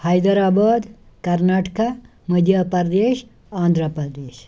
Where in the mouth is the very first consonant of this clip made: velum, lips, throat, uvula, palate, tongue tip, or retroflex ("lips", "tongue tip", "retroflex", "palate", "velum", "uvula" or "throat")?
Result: throat